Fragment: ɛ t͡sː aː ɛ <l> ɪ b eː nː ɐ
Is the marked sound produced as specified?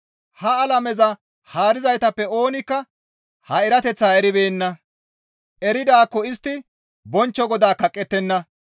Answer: no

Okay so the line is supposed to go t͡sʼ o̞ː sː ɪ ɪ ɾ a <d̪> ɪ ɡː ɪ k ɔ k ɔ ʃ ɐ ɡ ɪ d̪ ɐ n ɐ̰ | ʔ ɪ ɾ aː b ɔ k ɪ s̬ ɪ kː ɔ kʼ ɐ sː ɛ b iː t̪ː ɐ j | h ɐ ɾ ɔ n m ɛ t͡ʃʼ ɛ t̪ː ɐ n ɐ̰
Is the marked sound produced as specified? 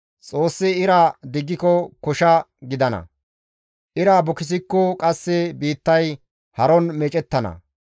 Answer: yes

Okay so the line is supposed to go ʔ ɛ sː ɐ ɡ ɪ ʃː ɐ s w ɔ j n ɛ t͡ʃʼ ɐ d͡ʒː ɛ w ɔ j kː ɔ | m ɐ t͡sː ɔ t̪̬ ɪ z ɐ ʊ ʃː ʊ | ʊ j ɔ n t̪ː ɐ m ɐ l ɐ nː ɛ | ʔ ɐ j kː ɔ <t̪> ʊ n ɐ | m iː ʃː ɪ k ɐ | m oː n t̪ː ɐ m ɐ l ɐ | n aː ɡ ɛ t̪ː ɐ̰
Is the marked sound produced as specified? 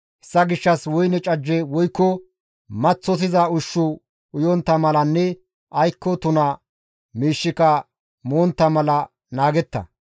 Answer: yes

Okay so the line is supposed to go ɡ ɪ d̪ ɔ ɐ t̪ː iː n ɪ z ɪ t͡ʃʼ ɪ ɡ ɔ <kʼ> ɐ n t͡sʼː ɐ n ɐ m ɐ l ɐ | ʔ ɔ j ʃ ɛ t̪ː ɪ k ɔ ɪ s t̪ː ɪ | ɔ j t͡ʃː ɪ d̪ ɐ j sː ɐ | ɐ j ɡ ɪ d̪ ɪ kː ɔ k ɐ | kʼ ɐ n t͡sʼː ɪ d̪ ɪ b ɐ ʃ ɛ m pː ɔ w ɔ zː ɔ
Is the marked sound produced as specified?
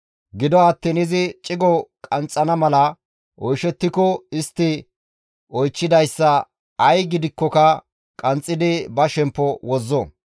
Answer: yes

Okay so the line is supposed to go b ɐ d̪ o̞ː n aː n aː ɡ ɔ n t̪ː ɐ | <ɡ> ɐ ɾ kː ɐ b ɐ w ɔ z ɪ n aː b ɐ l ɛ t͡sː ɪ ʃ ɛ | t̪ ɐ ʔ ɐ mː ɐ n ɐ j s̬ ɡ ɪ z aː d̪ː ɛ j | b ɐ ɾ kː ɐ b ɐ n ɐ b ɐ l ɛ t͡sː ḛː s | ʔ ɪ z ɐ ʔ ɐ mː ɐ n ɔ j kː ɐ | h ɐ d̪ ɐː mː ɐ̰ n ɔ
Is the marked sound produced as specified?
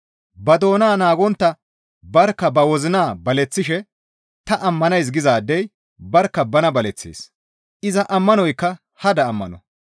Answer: no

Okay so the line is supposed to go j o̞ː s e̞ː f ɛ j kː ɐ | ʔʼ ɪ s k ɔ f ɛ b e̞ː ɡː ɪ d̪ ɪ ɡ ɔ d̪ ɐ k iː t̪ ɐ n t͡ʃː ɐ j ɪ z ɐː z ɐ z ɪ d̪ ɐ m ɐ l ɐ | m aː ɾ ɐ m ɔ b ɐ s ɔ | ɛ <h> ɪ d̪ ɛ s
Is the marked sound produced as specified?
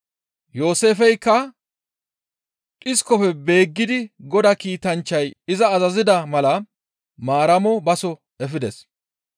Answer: no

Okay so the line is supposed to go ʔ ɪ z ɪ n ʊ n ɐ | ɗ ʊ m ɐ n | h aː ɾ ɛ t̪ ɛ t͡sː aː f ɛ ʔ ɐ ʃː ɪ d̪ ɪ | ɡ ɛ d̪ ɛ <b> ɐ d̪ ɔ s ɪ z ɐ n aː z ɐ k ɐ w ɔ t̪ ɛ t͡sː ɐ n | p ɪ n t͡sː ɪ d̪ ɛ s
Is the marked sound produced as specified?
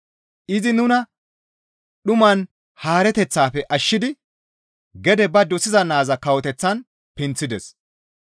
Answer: yes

